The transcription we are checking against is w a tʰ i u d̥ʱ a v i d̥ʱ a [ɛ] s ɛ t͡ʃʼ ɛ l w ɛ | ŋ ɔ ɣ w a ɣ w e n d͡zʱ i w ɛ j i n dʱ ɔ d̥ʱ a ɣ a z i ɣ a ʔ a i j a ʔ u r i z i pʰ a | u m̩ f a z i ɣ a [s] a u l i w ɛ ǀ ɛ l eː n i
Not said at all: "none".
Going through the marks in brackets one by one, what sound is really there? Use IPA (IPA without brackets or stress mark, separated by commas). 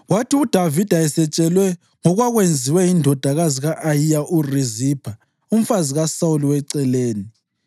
ɛ, s